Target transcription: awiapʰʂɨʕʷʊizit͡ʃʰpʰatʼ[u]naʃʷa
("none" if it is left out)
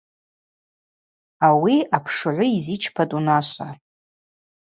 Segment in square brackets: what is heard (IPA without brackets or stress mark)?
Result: u